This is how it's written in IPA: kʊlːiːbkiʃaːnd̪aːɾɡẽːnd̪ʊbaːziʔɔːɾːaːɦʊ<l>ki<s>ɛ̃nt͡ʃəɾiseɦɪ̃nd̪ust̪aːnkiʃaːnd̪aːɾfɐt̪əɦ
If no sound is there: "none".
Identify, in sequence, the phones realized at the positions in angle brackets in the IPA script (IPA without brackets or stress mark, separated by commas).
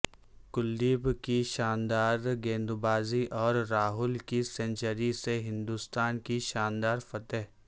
l, s